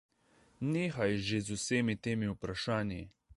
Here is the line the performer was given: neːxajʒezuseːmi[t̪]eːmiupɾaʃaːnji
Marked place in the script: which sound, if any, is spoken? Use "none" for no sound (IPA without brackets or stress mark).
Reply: t̪